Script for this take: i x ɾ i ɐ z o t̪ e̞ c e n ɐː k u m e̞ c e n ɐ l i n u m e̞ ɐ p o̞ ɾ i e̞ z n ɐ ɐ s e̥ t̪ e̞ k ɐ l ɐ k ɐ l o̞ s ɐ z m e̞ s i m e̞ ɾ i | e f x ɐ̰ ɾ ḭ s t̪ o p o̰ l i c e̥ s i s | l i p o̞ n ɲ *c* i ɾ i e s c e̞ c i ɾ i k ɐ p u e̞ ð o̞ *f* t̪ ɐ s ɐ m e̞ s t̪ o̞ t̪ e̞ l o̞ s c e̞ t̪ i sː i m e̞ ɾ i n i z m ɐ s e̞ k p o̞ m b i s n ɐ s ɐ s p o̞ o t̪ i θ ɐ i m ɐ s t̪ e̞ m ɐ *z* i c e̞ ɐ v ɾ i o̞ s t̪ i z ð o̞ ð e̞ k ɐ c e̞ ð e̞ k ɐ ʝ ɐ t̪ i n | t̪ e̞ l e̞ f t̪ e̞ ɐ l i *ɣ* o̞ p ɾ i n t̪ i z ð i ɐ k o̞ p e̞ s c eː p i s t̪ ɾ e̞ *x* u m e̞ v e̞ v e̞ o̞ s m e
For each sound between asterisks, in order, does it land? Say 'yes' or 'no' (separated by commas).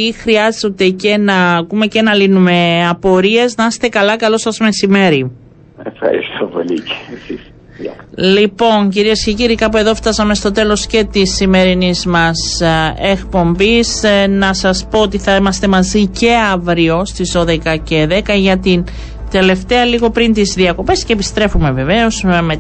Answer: yes, yes, yes, yes, no